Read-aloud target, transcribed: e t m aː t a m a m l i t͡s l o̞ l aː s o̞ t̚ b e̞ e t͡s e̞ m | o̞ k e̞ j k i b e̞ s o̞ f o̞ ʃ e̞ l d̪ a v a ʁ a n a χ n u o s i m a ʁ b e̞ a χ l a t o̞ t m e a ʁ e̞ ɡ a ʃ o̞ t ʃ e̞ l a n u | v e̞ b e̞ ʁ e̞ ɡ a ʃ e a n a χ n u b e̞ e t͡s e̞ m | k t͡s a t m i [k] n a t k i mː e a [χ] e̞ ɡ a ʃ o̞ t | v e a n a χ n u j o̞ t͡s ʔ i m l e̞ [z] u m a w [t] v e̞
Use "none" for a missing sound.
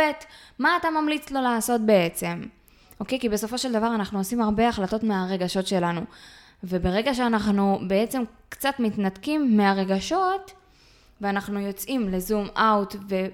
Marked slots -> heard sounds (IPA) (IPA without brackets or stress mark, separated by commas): t, ʁ, z, t